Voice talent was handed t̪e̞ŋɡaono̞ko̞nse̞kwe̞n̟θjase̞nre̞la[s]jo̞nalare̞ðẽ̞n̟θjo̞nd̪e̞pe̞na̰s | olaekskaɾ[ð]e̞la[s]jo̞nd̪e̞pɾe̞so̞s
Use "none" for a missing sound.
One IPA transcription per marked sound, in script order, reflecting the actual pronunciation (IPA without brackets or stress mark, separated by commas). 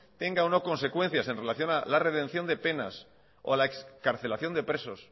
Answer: θ, θ, θ